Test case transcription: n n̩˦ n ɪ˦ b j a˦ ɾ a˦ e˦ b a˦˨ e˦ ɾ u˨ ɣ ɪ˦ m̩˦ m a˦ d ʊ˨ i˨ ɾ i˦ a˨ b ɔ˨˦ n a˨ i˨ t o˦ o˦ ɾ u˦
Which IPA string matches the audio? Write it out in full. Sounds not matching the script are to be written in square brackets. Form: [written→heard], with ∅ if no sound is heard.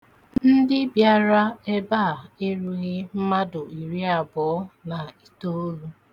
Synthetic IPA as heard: n n̩˦ [n→d] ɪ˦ b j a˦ ɾ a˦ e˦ b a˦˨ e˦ ɾ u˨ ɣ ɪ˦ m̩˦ m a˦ d ʊ˨ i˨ ɾ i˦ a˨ b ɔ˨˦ n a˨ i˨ t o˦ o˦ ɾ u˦

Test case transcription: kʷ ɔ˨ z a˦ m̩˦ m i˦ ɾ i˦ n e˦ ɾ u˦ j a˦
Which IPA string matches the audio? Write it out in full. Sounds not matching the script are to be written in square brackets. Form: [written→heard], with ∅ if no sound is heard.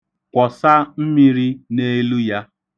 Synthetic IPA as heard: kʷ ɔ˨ [z→s] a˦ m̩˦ m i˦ ɾ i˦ n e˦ [ɾ→l] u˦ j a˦

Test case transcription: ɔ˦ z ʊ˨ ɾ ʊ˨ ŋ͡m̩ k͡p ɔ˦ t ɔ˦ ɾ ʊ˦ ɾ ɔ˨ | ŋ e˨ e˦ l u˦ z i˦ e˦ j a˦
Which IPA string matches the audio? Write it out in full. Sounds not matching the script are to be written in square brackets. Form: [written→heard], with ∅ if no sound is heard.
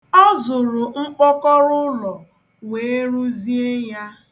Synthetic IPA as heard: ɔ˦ z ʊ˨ ɾ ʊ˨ ŋ͡m̩ k͡p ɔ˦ [t→k] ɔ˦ ɾ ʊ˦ [ɾ→l] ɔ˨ | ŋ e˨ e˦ [l→ɾ] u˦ z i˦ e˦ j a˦

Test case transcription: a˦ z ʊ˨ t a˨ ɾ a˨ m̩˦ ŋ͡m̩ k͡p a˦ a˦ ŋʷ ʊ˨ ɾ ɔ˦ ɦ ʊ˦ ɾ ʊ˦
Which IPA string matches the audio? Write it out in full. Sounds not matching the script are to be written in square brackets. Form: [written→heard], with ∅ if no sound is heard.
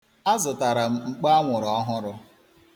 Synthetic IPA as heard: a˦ z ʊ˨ t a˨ ɾ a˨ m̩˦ ŋ͡m̩ k͡p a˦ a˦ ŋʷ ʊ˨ ɾ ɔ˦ ɦ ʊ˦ ɾ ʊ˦

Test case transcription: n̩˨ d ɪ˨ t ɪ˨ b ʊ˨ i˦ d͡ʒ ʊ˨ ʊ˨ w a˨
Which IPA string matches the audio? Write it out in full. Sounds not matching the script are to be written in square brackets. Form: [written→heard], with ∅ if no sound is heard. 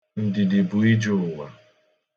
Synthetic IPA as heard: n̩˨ d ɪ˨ [t→d] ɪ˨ b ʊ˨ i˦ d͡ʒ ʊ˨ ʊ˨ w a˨

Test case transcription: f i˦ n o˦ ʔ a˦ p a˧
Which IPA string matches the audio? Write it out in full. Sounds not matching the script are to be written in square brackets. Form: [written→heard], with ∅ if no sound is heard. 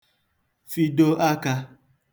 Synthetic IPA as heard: f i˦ [n→d] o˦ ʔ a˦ [p→k] a˧

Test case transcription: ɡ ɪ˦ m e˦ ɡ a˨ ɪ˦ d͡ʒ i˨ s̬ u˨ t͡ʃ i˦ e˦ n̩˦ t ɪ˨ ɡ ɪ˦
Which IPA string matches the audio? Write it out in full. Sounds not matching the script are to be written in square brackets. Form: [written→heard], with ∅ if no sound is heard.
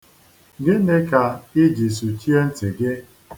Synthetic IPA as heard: ɡ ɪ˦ [m→n] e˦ [ɡ→k] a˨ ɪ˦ d͡ʒ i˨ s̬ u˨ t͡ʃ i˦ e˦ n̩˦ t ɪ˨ ɡ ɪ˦

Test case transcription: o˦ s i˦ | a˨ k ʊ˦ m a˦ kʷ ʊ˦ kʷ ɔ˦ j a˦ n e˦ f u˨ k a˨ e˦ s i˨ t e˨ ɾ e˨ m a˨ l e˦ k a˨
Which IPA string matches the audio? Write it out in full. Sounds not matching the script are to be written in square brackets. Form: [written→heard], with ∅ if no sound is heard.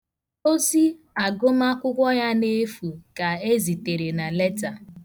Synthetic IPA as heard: o˦ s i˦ | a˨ [k→ɡ] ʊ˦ m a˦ kʷ ʊ˦ kʷ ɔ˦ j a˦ n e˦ f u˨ k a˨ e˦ [s→z] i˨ t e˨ ɾ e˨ [m→n] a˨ l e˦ [k→t] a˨

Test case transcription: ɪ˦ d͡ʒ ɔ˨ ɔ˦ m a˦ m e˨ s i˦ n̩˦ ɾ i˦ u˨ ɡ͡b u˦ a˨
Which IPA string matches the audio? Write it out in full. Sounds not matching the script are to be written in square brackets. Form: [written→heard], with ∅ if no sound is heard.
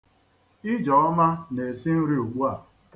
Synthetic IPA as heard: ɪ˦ d͡ʒ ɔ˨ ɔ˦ m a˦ [m→n] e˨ s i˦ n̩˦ ɾ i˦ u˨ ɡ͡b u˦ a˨

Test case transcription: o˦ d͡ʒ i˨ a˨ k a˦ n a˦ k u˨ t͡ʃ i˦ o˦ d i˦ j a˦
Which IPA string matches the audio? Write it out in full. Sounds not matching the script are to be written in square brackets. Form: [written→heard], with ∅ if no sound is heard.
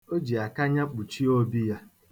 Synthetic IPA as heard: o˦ d͡ʒ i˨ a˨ k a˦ [n→ɲ] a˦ [k→k͡p] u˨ t͡ʃ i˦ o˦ [d→b] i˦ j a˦

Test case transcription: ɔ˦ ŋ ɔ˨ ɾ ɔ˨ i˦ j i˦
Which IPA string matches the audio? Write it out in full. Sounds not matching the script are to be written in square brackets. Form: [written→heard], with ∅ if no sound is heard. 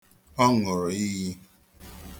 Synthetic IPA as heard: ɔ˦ ŋ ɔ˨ ɾ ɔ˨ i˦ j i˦

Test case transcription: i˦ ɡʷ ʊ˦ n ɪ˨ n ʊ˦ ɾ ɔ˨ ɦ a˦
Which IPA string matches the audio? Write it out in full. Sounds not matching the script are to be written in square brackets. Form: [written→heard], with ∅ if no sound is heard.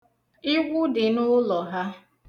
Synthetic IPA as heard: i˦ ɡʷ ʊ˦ [n→d] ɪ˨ n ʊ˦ [ɾ→l] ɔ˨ ɦ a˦

